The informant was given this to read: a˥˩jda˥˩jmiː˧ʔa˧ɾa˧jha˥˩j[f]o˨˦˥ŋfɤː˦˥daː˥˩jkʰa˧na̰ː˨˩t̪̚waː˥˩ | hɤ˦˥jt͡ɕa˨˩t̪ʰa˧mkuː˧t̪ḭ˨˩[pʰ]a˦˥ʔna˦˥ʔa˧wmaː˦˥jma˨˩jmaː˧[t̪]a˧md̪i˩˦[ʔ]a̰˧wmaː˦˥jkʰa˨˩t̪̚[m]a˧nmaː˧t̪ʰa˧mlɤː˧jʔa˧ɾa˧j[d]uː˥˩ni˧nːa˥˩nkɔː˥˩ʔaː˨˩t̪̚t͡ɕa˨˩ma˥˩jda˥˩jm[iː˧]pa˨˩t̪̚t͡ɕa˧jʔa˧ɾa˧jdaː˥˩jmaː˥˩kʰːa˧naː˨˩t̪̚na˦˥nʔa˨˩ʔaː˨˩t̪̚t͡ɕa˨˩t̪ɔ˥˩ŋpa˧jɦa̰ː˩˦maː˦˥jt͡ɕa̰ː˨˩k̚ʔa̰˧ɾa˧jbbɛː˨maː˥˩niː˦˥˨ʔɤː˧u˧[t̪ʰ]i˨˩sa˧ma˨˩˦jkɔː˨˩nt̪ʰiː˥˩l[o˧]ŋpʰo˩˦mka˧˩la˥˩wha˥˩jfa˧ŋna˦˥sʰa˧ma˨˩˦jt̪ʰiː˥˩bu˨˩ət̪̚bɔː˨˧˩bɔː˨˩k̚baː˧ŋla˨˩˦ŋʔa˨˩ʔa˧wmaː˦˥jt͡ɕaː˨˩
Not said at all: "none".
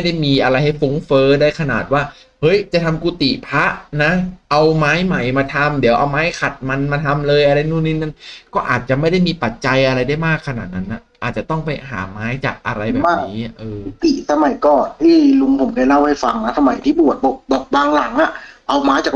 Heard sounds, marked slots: f, pʰ, t̪ʰ, ʔ, m, n, iː˧, t̪, u˧

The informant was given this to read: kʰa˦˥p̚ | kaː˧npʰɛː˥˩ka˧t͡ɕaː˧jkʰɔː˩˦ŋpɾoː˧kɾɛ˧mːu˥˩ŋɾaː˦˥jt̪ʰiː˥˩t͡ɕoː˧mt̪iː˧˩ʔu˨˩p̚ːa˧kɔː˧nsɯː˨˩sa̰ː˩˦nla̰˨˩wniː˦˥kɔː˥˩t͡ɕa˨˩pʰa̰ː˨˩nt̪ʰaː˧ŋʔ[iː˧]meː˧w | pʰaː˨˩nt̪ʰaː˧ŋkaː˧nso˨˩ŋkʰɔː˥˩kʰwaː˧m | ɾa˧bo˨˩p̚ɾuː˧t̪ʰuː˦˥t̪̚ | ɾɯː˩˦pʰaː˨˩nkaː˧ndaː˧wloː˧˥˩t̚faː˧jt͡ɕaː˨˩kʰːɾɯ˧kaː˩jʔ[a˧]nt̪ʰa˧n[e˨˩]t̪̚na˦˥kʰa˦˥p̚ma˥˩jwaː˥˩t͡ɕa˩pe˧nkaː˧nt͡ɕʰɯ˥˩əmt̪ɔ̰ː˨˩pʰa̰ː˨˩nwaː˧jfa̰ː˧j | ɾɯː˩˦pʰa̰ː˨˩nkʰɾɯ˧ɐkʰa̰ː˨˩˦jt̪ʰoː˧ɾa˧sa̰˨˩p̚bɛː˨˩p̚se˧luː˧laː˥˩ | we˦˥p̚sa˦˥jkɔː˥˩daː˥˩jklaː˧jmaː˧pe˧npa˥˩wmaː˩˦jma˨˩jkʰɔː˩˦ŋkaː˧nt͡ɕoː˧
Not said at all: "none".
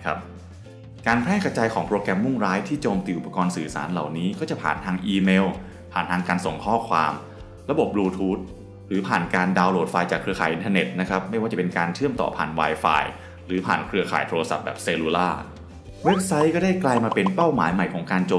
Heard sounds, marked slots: iː˧, i˧, e˨˩

